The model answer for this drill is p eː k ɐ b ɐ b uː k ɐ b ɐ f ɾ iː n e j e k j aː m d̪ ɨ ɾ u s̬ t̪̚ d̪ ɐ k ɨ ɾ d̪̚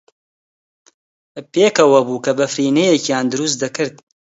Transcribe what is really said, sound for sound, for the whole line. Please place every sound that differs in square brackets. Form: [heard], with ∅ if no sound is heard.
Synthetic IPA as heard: p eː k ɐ [w] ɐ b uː k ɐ b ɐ f ɾ iː n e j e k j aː [n] d̪ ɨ ɾ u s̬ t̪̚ d̪ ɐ k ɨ ɾ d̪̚